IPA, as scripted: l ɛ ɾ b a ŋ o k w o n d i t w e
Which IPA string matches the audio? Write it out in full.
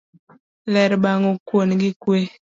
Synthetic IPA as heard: l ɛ ɾ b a ŋ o k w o n ɡ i k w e